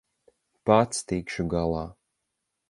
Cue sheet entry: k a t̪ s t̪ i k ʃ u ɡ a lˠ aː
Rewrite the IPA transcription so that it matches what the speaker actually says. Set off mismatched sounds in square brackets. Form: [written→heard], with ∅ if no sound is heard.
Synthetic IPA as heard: [k→p] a t̪ s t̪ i k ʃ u ɡ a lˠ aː